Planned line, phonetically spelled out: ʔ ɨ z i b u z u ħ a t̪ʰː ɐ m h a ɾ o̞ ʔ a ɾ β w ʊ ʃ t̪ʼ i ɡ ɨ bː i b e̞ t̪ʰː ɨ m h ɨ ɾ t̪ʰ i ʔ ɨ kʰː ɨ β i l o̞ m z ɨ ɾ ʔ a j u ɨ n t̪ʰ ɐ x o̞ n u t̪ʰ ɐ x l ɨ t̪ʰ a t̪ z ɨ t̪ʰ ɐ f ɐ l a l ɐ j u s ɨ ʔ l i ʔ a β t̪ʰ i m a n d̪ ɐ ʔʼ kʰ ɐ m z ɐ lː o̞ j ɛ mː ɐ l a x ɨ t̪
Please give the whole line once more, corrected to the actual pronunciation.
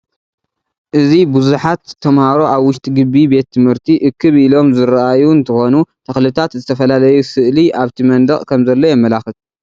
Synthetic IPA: ʔ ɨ z i b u z u ħ a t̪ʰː ɐ m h a ɾ o̞ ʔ a β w ʊ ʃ t̪ʼ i ɡ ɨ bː i b e̞ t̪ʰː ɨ m h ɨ ɾ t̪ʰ i ʔ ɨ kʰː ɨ β i l o̞ m z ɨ ɾ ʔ a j u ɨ n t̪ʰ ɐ x o̞ n u t̪ʰ ɐ x l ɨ t̪ʰ a t̪ z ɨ t̪ʰ ɐ f ɐ l a l ɐ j u s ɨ ʔ l i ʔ a β t̪ʰ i m ɐ n d̪ ɐ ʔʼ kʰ ɐ m z ɐ lː o̞ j ɛ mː ɐ l a x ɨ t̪